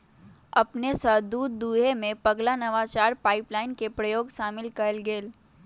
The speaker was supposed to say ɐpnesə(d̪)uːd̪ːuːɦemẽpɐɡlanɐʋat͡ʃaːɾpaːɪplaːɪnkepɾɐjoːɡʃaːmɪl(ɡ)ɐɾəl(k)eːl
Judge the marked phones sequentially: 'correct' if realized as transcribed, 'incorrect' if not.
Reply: correct, incorrect: k, incorrect: ɡ

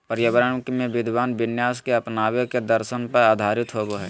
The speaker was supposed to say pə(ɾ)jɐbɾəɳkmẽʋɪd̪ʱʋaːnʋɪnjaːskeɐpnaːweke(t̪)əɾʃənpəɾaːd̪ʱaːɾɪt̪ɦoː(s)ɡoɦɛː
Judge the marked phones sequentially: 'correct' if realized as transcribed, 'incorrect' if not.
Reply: correct, incorrect: d̪, incorrect: none

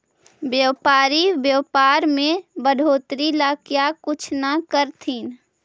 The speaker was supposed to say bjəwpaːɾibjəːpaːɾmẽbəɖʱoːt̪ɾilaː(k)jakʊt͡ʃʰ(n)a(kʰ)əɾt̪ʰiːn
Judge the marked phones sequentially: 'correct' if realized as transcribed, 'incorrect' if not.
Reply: correct, correct, incorrect: k

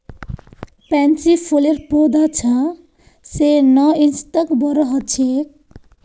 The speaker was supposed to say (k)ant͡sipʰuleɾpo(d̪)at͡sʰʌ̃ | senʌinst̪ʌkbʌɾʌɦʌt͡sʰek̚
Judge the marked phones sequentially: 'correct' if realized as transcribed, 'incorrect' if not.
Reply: incorrect: p, correct

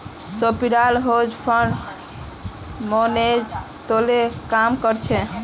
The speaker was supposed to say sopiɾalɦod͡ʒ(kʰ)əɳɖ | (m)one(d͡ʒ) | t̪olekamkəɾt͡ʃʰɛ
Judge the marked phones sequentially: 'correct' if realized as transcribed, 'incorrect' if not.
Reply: incorrect: pʰ, correct, correct

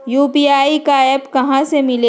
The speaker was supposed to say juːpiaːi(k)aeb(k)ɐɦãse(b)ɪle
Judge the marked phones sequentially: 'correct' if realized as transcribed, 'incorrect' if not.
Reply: correct, correct, incorrect: m

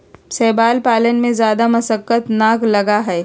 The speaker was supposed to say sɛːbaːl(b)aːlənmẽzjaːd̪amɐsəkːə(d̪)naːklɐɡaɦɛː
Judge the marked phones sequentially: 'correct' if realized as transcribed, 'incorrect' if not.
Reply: incorrect: p, incorrect: t̪

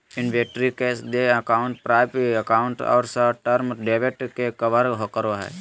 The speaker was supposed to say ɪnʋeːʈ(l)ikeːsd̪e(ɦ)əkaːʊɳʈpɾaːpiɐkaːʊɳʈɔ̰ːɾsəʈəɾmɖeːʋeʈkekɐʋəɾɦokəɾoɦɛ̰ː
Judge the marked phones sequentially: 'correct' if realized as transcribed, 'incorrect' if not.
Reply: incorrect: ɾ, incorrect: none

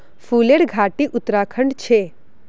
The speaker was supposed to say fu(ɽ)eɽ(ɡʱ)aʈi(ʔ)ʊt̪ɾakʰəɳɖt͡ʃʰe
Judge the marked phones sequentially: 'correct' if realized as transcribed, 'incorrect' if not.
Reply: incorrect: l, correct, correct

